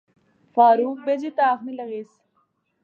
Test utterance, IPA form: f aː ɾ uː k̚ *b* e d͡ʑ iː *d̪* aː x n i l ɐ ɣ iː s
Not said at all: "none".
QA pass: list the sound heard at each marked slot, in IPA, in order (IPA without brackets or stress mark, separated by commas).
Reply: b, t̪